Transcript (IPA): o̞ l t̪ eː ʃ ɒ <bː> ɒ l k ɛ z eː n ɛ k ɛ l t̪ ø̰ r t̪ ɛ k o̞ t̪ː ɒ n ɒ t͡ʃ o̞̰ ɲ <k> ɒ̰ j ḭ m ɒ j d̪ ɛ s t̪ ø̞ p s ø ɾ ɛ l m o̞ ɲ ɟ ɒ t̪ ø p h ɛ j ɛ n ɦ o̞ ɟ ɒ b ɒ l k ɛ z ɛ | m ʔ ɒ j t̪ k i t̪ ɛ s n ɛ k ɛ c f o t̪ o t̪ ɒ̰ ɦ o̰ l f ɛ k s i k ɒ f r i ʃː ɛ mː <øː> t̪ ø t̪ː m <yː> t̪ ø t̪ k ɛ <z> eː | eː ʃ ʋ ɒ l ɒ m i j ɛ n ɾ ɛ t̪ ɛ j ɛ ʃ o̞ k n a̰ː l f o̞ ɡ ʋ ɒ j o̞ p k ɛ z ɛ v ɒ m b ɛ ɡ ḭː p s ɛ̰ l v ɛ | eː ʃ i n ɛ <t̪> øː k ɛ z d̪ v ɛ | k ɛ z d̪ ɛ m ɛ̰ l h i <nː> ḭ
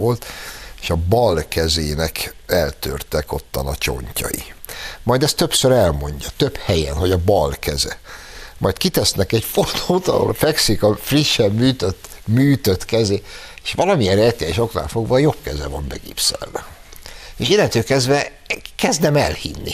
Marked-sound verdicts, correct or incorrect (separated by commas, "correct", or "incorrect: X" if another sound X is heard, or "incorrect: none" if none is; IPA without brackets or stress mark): incorrect: b, incorrect: c, incorrect: yː, correct, correct, correct, correct